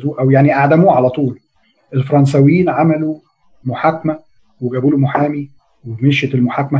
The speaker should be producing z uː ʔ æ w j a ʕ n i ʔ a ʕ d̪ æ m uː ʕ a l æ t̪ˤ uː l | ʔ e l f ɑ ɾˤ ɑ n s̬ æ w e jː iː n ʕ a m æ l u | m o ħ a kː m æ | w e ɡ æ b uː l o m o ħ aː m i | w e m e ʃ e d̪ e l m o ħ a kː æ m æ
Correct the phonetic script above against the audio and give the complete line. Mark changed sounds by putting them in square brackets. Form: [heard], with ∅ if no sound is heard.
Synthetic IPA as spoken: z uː ʔ æ w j a ʕ n i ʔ a ʕ d̪ æ m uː ʕ a l æ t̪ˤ uː l | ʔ e l f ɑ ɾˤ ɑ n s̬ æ w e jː iː n ʕ a m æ l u | m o ħ a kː m æ | w e ɡ æ b uː l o m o ħ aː m i | w e m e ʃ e [t̪] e l m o ħ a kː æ m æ